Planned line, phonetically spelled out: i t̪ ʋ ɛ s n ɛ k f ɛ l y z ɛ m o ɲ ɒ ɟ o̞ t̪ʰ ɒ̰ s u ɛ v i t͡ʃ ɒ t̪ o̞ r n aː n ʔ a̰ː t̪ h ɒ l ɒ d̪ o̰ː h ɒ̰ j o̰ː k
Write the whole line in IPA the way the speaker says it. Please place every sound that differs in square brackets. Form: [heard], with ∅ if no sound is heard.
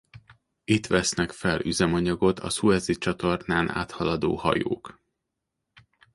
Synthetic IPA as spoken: i t̪ ʋ ɛ s n ɛ k f ɛ l y z ɛ m [ɒ] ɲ ɒ [ɡ] o̞ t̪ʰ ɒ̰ s u ɛ [z] i t͡ʃ ɒ t̪ o̞ r n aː n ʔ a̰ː t̪ h ɒ l ɒ d̪ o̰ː h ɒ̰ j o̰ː k